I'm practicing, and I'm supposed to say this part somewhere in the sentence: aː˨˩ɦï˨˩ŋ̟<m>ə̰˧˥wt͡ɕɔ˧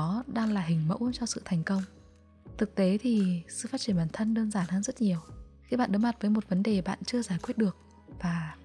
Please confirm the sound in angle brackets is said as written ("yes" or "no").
yes